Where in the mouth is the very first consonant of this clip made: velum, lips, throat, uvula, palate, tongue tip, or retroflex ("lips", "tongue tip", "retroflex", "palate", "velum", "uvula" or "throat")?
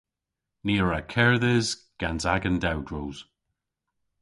tongue tip